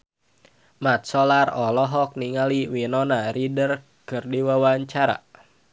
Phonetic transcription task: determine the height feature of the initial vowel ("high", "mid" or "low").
low